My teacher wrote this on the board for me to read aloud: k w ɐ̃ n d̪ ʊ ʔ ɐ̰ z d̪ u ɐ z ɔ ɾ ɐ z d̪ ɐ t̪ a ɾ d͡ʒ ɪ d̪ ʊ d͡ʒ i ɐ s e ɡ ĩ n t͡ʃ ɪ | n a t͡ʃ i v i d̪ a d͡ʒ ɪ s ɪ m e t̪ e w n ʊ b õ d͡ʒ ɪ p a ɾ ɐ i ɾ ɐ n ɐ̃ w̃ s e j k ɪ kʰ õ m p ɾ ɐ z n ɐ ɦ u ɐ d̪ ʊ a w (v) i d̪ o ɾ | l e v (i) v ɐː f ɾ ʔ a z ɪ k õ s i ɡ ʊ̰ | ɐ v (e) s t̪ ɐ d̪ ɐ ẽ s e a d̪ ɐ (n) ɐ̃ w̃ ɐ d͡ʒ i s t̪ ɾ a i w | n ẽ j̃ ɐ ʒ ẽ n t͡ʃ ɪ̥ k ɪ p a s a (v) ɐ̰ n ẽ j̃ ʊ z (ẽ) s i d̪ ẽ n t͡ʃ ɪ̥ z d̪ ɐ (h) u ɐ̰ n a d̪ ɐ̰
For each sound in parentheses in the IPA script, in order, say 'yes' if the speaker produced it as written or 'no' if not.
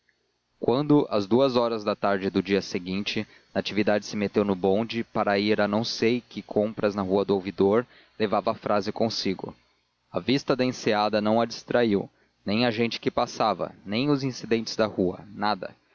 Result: yes, no, no, yes, yes, no, yes

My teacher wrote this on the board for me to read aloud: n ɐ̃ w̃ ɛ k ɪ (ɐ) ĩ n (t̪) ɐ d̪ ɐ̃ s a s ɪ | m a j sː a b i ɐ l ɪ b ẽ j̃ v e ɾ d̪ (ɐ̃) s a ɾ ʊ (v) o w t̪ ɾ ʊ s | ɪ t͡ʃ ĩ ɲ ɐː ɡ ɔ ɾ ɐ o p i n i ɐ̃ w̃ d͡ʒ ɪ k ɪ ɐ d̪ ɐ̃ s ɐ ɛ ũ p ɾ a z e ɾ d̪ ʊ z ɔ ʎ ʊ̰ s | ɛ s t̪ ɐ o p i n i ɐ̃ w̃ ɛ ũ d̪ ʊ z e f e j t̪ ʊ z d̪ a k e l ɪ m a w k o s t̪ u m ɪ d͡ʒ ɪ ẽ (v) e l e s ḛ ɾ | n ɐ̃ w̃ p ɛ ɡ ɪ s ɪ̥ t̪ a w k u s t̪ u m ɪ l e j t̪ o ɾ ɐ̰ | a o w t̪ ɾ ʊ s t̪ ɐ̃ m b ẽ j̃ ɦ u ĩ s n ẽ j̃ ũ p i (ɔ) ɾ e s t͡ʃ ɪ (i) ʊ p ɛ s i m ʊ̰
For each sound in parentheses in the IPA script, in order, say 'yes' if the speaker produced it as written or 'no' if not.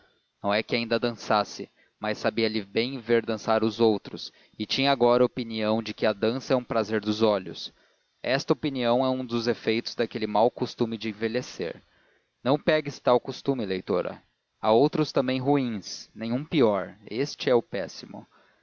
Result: no, no, yes, no, yes, yes, no

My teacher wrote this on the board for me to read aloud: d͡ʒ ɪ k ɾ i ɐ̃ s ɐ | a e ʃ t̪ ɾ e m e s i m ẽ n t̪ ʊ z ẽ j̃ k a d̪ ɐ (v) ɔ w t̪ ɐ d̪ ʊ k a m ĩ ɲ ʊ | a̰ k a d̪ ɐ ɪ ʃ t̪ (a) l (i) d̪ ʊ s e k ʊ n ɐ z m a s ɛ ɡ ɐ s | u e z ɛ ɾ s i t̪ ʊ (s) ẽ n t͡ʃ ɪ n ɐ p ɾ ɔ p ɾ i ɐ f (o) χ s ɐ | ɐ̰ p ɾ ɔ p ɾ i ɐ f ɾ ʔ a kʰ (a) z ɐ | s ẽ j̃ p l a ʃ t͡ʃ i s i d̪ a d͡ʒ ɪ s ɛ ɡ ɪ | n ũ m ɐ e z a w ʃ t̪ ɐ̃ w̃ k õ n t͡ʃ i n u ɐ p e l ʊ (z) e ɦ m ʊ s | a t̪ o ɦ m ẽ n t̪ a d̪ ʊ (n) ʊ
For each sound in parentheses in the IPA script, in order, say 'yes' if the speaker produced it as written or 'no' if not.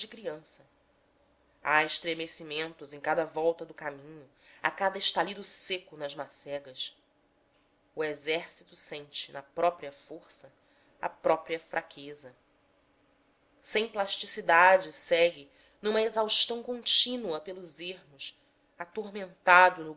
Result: yes, yes, yes, yes, yes, no, yes, yes

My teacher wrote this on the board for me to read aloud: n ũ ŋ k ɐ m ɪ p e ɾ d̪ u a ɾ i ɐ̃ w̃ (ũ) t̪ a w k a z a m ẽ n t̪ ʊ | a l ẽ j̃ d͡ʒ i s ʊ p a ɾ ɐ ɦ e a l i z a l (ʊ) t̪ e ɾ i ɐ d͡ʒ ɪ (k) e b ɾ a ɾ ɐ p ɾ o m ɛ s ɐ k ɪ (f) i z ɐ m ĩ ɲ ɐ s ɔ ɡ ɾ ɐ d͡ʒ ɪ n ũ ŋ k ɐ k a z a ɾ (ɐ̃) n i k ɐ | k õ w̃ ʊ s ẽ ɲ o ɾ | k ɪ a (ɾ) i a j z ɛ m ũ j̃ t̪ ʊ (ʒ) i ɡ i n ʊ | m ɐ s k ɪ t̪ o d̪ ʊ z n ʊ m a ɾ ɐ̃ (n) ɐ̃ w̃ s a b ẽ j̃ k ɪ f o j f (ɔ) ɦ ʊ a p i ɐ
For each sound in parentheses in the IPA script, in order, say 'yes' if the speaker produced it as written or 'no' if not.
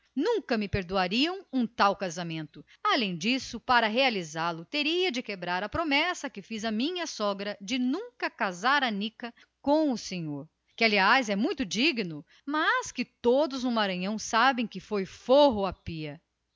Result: yes, yes, yes, yes, no, no, no, no, no

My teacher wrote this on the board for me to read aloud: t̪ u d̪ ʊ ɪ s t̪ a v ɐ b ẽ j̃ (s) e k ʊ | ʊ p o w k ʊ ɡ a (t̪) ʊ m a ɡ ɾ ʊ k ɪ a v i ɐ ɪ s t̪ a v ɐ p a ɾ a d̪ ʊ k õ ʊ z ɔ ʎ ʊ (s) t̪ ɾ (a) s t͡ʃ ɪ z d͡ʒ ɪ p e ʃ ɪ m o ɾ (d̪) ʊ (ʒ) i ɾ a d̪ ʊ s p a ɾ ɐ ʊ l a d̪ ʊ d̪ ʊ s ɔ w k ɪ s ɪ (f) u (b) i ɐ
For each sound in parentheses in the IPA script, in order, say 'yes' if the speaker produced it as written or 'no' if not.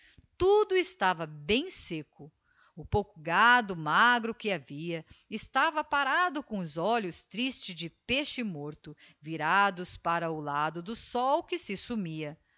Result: yes, no, yes, no, no, no, no, no

